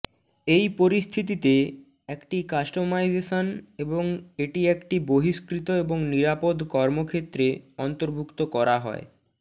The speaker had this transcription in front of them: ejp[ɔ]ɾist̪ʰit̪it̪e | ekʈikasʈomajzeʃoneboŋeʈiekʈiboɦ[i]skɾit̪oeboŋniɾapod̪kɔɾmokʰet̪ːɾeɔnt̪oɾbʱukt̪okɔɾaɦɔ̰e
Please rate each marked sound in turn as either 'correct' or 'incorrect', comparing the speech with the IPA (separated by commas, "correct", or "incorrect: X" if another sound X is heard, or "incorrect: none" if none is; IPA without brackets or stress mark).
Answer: incorrect: o, correct